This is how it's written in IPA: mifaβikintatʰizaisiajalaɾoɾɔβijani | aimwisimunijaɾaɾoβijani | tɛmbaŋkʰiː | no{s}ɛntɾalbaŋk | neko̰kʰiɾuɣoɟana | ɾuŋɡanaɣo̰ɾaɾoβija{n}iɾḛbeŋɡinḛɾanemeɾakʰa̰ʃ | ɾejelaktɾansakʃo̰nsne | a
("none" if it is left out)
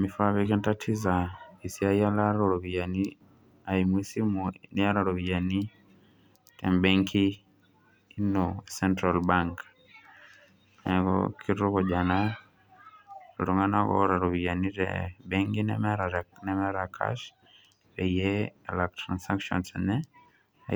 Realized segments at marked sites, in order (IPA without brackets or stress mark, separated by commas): s, n